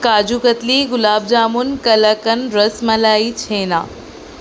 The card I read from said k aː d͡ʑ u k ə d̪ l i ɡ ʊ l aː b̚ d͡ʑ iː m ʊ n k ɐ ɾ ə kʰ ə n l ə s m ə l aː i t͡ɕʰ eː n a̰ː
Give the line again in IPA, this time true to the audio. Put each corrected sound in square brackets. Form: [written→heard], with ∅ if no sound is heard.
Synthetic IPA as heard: k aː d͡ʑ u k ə [d̪→t̪] l i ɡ ʊ l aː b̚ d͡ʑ [iː→aː] m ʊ n k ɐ [ɾ→l] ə [kʰ→k] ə n [l→ɾ] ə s m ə l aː i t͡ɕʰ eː n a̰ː